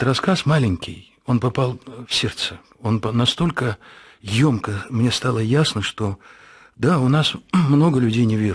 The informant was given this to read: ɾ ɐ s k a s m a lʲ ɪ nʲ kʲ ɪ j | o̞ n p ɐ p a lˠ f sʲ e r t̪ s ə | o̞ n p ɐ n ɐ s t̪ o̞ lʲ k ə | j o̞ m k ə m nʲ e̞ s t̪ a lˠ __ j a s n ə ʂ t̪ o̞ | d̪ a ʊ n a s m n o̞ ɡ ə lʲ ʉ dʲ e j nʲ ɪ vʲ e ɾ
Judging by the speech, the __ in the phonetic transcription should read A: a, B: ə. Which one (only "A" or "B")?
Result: B